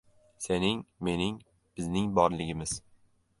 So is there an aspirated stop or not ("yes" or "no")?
no